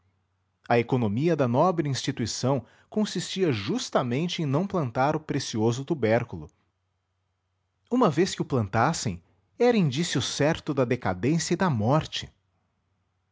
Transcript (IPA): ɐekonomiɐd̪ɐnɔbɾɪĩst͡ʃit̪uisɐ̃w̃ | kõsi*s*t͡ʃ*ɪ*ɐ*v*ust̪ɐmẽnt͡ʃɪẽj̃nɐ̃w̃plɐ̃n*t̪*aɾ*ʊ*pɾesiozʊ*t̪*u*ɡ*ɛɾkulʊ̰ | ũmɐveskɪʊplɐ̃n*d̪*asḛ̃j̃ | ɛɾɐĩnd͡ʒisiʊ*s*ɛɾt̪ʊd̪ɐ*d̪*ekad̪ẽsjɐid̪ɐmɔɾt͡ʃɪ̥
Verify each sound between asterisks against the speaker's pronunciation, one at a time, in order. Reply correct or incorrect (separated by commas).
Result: correct, incorrect, incorrect, correct, correct, correct, incorrect, incorrect, correct, correct